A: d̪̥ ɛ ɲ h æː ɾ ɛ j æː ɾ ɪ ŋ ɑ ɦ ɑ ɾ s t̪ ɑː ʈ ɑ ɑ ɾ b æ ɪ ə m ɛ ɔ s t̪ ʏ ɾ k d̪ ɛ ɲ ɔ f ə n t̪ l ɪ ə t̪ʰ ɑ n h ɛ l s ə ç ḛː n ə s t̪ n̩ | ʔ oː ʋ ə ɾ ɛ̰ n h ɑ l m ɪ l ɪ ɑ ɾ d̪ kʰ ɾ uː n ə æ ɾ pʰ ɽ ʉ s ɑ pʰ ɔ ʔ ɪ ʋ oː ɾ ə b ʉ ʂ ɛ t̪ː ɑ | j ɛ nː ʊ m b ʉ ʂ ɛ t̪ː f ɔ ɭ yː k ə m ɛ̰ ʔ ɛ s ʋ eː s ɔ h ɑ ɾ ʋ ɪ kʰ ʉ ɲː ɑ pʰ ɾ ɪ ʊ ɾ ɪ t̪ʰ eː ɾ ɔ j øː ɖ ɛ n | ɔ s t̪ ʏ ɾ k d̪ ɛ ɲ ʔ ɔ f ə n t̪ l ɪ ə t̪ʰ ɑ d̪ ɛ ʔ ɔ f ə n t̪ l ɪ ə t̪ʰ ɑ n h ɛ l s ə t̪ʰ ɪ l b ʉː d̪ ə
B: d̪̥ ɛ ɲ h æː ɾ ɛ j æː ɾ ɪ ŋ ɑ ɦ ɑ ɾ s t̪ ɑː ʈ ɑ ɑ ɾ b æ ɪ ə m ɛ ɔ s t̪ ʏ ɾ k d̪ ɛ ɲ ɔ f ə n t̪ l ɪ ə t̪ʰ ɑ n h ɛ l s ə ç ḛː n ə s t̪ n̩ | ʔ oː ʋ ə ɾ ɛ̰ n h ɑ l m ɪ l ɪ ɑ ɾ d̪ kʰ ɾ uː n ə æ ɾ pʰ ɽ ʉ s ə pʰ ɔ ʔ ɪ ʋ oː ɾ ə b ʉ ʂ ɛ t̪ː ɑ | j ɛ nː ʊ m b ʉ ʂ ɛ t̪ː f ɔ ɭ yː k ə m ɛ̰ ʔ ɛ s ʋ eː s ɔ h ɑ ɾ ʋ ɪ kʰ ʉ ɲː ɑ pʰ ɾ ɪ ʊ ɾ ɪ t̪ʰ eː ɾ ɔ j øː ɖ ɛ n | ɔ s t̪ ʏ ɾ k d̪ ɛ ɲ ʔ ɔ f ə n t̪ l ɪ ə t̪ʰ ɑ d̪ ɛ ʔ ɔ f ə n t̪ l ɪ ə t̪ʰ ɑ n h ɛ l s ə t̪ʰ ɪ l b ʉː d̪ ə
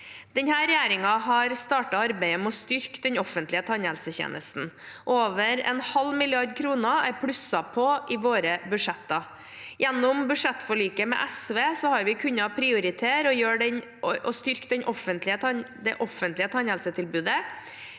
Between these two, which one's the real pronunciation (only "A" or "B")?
A